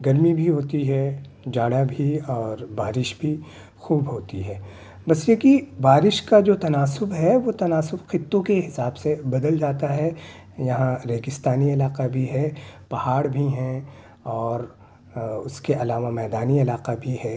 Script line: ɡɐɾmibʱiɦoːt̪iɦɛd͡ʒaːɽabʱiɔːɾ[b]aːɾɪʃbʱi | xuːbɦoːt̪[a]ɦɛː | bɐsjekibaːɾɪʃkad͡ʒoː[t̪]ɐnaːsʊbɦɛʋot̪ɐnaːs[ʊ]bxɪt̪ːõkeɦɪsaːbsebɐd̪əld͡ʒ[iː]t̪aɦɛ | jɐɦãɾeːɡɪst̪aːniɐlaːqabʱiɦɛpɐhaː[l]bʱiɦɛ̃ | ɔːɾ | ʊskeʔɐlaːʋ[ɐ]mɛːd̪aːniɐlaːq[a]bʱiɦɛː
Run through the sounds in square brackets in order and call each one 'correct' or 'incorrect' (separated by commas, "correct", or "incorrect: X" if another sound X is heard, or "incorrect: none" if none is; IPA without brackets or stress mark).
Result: correct, incorrect: i, correct, correct, incorrect: aː, incorrect: ɽ, incorrect: a, correct